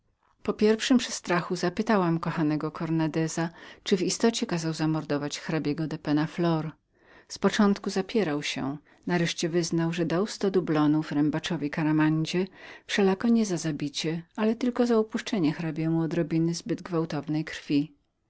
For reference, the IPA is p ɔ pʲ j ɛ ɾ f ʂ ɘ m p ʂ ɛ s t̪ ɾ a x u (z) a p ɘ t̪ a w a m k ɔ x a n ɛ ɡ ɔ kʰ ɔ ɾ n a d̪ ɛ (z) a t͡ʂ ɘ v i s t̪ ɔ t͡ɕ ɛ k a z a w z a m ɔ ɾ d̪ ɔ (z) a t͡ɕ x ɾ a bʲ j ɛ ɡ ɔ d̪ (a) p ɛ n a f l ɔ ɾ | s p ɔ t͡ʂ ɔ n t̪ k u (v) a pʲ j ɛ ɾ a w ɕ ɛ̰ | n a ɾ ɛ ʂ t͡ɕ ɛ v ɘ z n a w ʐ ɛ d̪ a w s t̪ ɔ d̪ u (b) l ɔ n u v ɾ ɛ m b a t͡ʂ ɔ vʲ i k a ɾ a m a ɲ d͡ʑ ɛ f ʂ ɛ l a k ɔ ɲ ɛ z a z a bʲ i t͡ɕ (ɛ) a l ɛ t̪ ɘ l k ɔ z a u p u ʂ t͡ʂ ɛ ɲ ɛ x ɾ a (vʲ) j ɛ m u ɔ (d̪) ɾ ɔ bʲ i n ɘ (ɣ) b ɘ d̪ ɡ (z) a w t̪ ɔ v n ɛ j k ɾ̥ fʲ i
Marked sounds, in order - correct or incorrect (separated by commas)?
correct, correct, incorrect, incorrect, incorrect, correct, correct, incorrect, correct, incorrect, incorrect